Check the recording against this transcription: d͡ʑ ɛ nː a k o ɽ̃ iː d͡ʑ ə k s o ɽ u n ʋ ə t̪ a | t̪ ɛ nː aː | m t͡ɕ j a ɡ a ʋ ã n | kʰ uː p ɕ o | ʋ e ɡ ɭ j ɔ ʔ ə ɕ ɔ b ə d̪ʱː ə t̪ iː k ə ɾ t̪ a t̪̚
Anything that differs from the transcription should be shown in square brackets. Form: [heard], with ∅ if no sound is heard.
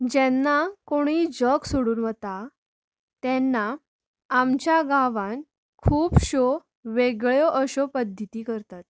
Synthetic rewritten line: d͡ʑ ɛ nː a k o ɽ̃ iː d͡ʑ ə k s o ɽ [uː] n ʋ ə t̪ a | t̪ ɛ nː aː | m t͡ɕ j a ɡ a ʋ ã n | kʰ uː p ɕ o | ʋ e ɡ ɭ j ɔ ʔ ə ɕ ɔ [p] ə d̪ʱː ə t̪ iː k ə ɾ t̪ a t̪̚